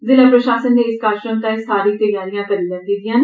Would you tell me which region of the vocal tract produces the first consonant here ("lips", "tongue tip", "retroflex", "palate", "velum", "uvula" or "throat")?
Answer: tongue tip